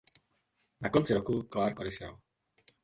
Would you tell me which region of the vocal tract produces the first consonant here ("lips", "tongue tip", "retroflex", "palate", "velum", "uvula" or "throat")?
tongue tip